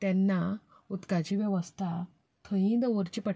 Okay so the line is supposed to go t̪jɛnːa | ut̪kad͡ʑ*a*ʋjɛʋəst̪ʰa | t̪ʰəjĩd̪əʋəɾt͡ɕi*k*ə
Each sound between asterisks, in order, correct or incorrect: incorrect, incorrect

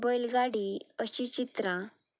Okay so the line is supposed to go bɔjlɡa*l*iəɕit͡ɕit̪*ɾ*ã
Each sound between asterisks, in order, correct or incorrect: incorrect, correct

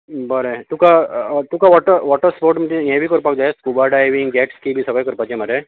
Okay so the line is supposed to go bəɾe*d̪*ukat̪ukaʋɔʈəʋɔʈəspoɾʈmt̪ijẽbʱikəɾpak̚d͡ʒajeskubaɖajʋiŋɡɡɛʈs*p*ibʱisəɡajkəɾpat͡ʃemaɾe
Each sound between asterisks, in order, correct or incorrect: incorrect, incorrect

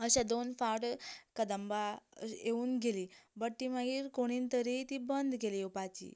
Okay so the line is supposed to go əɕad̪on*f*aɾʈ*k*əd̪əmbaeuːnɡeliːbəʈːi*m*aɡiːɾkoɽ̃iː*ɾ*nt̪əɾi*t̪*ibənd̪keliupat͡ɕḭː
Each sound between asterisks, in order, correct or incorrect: correct, correct, correct, incorrect, correct

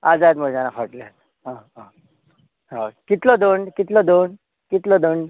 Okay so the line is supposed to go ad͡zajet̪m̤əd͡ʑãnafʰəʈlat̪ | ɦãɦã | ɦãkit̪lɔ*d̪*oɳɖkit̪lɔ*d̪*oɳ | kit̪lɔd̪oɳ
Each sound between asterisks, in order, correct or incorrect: correct, correct

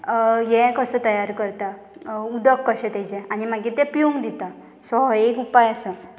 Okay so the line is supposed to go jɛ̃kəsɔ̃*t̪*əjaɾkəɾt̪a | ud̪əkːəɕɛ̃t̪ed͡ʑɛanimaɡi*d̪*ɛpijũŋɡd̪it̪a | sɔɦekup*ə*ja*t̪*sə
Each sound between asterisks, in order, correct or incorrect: correct, incorrect, incorrect, incorrect

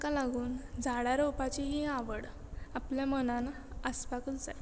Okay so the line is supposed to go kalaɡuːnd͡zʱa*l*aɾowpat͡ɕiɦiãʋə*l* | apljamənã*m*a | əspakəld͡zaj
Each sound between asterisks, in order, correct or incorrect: incorrect, incorrect, incorrect

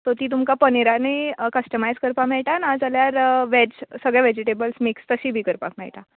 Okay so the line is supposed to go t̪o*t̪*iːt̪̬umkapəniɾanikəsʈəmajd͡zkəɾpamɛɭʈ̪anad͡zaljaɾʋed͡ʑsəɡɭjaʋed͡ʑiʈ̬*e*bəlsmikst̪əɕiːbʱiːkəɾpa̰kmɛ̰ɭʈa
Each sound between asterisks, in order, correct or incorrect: correct, correct

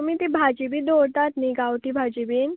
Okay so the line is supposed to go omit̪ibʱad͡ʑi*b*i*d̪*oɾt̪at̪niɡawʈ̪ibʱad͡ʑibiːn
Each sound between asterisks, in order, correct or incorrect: correct, correct

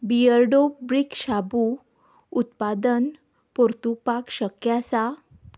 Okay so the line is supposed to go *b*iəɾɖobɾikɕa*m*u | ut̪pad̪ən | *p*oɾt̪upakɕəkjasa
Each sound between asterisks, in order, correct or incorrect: correct, incorrect, correct

